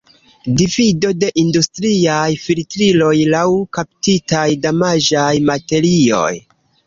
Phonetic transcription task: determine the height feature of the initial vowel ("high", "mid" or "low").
high